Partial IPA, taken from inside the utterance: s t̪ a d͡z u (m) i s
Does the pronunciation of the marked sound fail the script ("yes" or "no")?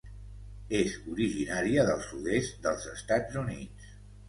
yes